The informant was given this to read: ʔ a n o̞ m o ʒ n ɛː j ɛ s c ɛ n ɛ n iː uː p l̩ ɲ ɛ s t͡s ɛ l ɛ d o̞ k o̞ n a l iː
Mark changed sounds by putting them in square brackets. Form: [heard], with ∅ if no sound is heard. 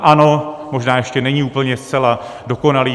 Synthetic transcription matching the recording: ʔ a n o̞ m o ʒ n [aː] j ɛ [ʃ] c ɛ n ɛ [ɲ] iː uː p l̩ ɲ ɛ s t͡s ɛ l [a] d o̞ k o̞ n a l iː

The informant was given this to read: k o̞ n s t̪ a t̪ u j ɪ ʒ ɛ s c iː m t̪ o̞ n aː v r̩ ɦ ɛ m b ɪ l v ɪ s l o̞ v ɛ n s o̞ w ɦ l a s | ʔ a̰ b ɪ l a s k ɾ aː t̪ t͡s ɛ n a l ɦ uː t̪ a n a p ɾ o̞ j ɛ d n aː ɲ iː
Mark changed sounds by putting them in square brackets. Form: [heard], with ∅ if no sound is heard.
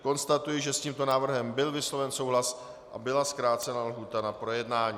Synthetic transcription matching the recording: k o̞ n s t̪ a t̪ u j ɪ ʒ ɛ s c iː m t̪ o̞ n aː v r̩ ɦ ɛ m b ɪ l v ɪ s l o̞ v ɛ n s o̞ w ɦ l a s | ʔ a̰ b ɪ l a s k ɾ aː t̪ t͡s ɛ n a l ɦ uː t̪ a n a p ɾ o̞ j ɛ d n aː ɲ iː

